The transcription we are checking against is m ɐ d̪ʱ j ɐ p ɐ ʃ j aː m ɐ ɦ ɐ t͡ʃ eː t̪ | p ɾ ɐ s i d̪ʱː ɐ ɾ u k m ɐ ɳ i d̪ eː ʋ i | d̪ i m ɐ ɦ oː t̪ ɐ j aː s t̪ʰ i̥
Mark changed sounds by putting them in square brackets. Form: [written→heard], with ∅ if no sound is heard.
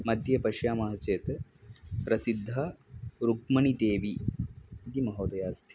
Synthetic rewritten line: m ɐ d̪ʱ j ɐ p ɐ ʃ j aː m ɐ ɦ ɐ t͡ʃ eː t̪ | p ɾ ɐ s i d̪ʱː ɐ ɾ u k m ɐ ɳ i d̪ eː ʋ i | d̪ i m ɐ ɦ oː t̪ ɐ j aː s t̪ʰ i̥